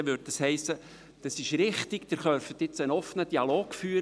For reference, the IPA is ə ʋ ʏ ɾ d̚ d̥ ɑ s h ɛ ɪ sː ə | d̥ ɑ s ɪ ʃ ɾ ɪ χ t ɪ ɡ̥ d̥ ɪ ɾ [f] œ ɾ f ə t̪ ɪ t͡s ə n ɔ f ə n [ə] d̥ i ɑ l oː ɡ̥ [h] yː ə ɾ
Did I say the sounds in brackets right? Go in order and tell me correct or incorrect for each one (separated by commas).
incorrect, correct, incorrect